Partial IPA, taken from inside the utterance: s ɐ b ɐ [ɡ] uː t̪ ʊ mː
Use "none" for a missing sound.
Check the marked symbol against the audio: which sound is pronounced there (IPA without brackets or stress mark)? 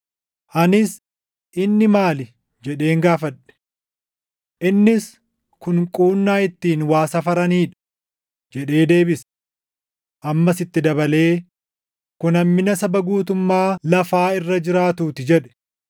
ɡ